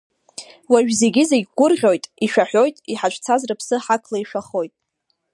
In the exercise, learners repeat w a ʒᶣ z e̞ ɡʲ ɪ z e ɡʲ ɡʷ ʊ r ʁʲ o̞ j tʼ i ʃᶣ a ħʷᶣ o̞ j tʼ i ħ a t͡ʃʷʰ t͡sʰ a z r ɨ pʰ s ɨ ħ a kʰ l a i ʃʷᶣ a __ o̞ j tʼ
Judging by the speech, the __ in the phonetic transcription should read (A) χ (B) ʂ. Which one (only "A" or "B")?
A